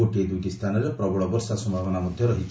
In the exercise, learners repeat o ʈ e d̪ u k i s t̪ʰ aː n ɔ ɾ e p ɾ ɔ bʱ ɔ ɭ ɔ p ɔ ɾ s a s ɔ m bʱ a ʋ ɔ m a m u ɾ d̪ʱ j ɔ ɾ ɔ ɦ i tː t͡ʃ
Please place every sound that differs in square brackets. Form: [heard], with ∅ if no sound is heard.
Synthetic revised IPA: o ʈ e d̪ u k i s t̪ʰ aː n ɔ ɾ e p ɾ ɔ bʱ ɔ ɭ ɔ [b] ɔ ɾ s a s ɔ m bʱ a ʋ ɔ [n] a m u [∅] d̪ʱ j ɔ ɾ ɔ ɦ i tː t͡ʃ